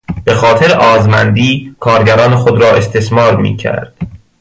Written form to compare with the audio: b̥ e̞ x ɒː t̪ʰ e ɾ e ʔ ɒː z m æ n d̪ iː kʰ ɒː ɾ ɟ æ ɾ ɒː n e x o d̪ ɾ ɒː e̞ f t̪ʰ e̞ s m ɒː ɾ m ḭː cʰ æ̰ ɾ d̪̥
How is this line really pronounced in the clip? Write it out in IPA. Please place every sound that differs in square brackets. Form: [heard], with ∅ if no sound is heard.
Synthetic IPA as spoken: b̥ e̞ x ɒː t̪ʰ e ɾ e ʔ ɒː z m æ n d̪ iː kʰ ɒː ɾ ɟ æ ɾ ɒː n e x o d̪ ɾ ɒː e̞ [s] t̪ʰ e̞ s m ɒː ɾ m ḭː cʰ æ̰ ɾ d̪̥